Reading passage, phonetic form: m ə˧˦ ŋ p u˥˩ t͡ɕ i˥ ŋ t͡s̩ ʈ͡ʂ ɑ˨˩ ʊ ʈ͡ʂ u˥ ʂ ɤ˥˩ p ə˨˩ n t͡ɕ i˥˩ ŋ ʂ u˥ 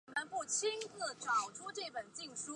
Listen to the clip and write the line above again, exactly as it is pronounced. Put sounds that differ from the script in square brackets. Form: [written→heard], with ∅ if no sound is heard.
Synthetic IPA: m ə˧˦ [ŋ→n] p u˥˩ [t͡ɕ→t͡ɕʰ] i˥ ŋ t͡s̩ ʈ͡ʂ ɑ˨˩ ʊ [ʈ͡ʂ→ʈ͡ʂʰ] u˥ [ʂ→ʈ͡ʂ] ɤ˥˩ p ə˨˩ n t͡ɕ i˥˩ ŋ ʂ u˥